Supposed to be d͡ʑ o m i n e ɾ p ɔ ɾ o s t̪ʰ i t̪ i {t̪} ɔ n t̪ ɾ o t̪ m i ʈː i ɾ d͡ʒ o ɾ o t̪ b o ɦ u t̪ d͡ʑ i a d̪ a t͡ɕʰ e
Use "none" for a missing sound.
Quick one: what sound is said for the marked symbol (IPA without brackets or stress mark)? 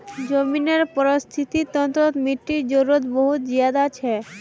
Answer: t̪